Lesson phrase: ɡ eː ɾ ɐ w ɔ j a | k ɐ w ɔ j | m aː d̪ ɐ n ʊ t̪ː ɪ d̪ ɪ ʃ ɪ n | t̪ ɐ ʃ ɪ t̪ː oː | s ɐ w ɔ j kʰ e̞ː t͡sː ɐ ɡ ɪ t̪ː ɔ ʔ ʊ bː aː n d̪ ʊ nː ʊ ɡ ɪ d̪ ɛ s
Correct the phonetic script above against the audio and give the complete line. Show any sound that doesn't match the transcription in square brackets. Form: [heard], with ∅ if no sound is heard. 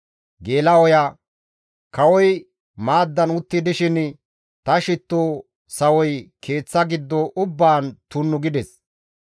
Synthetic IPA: ɡ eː [l] ɐ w ɔ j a | k ɐ w ɔ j | m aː [d̪ː] ɐ n ʊ t̪ː ɪ d̪ ɪ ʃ ɪ n | t̪ ɐ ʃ ɪ t̪ː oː | s ɐ w ɔ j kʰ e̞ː t͡sː ɐ ɡ ɪ [d̪ː] ɔ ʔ ʊ bː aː n [t̪] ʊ nː ʊ ɡ ɪ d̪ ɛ s

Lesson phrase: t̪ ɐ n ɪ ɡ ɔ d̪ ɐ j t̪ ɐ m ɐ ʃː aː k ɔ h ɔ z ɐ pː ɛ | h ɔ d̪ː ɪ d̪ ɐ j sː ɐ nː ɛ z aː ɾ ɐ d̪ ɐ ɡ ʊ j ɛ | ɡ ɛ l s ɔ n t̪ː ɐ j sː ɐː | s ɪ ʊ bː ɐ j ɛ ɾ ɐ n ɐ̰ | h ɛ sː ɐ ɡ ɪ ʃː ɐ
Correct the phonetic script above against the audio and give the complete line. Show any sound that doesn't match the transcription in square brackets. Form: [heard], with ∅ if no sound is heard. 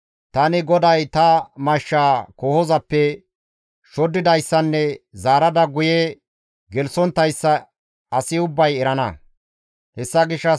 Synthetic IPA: t̪ ɐ n ɪ ɡ ɔ d̪ ɐ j t̪ ɐ m ɐ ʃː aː k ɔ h ɔ z ɐ pː ɛ | [ʃ] ɔ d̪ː ɪ d̪ ɐ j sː ɐ nː ɛ z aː ɾ ɐ d̪ ɐ ɡ ʊ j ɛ | ɡ ɛ l s ɔ n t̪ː ɐ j sː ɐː | s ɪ ʊ bː ɐ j ɛ ɾ ɐ n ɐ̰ | h ɛ sː ɐ ɡ ɪ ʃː ɐ

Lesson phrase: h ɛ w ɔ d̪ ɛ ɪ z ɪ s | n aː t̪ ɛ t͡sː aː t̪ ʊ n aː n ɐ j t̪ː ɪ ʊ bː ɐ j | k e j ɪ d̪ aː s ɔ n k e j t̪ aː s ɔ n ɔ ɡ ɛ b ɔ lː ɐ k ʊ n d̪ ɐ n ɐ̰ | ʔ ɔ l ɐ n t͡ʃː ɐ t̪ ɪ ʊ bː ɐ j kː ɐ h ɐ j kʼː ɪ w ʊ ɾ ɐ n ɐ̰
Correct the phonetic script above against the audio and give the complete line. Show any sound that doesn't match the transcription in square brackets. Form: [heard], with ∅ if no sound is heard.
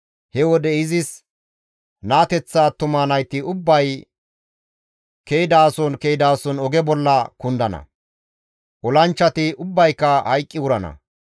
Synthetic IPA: h ɛ w ɔ d̪ ɛ ɪ z ɪ s | n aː t̪ ɛ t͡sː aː t̪ ʊ [m] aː n ɐ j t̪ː ɪ ʊ bː ɐ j | k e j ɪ d̪ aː s ɔ n k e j [d̪] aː s ɔ n ɔ ɡ ɛ b ɔ lː ɐ k ʊ n d̪ ɐ n ɐ̰ | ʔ ɔ l ɐ n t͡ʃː ɐ t̪ ɪ ʊ bː ɐ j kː ɐ h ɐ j kʼː ɪ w ʊ ɾ ɐ n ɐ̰

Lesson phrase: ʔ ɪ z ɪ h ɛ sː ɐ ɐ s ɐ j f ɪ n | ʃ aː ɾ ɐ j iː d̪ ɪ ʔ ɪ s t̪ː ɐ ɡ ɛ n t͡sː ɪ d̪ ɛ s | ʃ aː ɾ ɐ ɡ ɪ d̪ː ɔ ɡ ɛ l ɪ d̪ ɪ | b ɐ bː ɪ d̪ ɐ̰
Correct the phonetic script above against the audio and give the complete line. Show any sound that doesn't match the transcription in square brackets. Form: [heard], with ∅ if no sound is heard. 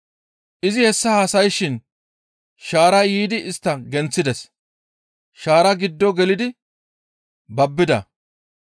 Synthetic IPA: ʔ ɪ z ɪ h ɛ sː ɐ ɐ s ɐ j [ʃ] ɪ n | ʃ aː ɾ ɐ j iː d̪ ɪ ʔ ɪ s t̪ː ɐ ɡ ɛ n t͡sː ɪ d̪ ɛ s | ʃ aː ɾ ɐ ɡ ɪ d̪ː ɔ ɡ ɛ l ɪ d̪ ɪ | b ɐ bː ɪ d̪ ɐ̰

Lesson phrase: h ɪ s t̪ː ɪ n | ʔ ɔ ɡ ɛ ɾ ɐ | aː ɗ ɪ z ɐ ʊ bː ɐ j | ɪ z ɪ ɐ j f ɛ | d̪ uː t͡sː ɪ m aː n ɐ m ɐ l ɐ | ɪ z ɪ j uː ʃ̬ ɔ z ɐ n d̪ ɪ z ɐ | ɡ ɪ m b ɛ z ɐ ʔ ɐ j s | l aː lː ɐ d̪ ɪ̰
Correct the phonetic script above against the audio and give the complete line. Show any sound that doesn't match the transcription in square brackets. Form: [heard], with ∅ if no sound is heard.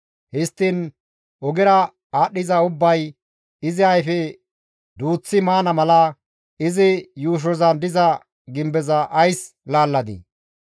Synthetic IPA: h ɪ s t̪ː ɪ n | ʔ ɔ ɡ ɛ ɾ ɐ | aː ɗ ɪ z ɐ ʊ bː ɐ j | ɪ z ɪ ɐ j f ɛ | d̪ uː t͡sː ɪ m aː n ɐ m ɐ l ɐ | ɪ z ɪ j uː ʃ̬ ɔ z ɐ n d̪ ɪ z ɐ | ɡ ɪ m b ɛ z ɐ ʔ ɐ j s | l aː lː ɐ d̪ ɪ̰

